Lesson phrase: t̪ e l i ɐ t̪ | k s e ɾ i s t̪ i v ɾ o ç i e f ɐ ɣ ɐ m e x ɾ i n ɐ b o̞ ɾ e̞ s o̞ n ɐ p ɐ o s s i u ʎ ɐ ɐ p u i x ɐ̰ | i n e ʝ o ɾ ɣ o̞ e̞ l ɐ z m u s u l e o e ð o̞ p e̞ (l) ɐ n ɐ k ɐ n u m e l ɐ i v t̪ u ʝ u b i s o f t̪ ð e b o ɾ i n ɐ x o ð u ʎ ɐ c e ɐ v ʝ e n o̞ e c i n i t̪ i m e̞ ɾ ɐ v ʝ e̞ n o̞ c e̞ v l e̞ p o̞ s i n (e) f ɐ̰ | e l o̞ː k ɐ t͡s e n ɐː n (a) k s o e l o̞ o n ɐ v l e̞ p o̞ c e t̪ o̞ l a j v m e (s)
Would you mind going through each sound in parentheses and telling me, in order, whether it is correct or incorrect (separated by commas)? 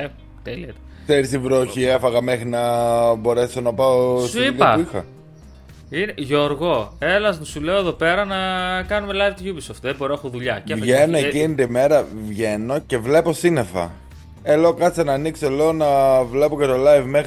incorrect, correct, incorrect, incorrect